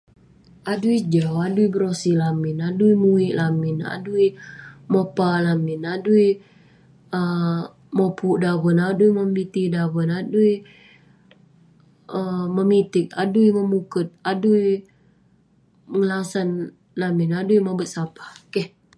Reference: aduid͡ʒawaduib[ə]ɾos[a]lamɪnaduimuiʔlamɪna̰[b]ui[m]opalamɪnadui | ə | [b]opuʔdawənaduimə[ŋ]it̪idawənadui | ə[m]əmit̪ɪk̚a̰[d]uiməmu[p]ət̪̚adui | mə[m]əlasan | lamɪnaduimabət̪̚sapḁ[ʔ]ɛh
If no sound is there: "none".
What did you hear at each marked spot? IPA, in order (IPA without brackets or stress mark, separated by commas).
ə, i, d, m, m, m, m, d, k, ŋ, k